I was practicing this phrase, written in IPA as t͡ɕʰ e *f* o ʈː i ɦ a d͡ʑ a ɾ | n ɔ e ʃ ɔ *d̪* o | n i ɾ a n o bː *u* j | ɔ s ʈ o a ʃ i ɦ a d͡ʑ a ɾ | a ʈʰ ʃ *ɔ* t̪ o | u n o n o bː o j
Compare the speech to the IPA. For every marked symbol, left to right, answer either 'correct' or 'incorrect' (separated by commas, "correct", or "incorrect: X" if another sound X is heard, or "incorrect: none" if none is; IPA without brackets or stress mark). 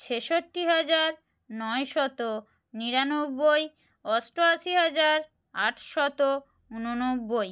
incorrect: ʃ, incorrect: t̪, incorrect: o, correct